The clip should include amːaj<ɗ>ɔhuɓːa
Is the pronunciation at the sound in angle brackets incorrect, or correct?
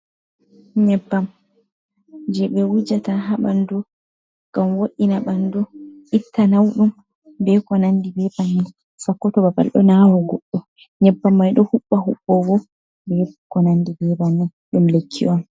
correct